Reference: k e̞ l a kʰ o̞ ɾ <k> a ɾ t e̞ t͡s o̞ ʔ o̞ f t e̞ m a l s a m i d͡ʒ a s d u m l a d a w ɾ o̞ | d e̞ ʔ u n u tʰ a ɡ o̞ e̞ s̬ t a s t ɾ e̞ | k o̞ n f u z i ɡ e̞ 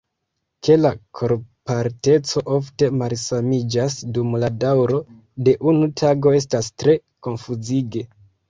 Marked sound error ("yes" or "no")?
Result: yes